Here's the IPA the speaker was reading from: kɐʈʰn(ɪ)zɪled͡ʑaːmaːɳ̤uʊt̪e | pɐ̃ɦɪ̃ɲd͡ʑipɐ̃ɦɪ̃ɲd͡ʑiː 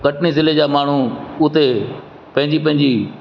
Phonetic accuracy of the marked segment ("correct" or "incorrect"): incorrect